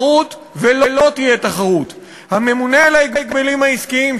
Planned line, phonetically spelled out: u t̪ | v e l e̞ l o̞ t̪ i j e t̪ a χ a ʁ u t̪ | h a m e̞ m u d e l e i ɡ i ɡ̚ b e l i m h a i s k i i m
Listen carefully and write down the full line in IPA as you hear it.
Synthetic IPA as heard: u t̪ | v e l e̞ l o̞ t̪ i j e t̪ a χ a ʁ u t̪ | h a m e̞ m u n e l a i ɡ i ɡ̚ b e l i m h a i s k i i m